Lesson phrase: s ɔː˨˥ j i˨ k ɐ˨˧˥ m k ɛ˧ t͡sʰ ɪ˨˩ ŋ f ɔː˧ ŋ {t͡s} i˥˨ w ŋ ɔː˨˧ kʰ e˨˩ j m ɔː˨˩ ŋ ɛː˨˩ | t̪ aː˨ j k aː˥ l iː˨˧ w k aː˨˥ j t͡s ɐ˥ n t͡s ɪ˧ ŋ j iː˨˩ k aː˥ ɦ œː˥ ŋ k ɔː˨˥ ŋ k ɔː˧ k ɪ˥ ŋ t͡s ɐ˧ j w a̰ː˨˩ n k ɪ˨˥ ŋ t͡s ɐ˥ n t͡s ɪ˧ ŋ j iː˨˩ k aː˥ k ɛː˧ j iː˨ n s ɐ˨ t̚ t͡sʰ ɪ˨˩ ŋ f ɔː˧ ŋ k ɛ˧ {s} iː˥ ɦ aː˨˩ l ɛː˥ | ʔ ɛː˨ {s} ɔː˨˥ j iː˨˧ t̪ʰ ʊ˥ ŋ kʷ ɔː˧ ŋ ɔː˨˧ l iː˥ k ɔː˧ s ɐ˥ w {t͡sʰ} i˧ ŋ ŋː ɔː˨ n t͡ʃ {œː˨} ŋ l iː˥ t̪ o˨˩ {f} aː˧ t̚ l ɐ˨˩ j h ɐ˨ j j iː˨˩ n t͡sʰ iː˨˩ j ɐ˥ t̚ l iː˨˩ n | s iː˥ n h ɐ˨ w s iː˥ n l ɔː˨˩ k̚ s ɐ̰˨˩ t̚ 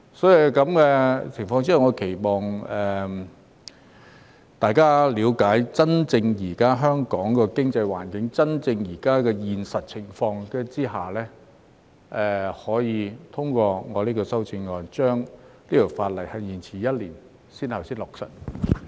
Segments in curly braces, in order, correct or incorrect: correct, incorrect: t͡s, incorrect: h, incorrect: t͡s, incorrect: œː˥, correct

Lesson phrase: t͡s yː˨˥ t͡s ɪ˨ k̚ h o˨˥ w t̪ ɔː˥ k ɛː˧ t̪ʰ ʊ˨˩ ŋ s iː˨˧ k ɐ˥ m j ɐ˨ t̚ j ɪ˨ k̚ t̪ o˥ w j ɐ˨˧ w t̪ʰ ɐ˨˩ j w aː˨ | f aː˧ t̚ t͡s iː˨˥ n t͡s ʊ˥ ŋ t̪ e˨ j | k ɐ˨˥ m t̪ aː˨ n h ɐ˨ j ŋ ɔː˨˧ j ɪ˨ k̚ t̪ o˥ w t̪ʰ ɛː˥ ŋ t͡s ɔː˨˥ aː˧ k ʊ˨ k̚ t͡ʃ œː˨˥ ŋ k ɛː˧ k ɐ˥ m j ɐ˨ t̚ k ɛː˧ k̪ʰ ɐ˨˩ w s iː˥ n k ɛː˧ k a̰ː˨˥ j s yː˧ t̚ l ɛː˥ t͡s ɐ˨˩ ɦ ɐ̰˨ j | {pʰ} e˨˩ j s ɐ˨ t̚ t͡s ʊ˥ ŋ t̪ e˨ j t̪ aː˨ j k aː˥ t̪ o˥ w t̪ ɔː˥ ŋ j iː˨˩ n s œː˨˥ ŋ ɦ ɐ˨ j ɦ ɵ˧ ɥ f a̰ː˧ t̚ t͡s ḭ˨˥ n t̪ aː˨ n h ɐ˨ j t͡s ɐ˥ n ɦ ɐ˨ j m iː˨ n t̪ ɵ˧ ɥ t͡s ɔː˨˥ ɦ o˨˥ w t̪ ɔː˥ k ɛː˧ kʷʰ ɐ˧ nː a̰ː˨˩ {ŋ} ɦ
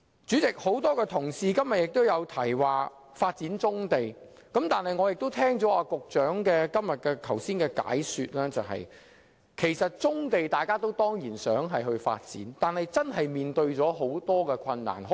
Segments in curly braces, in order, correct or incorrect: incorrect: kʰ, incorrect: n

